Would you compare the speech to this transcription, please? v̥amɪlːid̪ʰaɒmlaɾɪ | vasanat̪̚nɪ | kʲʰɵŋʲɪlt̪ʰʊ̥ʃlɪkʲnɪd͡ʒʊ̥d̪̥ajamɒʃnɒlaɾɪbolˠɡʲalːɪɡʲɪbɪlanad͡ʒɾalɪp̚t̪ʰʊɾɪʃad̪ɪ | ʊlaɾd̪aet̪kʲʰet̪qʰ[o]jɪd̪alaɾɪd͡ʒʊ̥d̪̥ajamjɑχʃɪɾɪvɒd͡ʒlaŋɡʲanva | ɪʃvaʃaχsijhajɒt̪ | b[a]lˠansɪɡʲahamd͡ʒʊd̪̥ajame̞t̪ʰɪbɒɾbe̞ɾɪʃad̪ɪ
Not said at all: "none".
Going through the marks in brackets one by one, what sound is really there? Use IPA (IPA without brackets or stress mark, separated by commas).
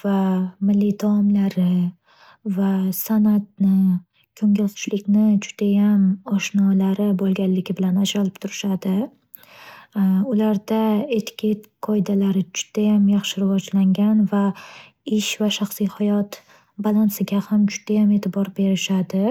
ɒ, a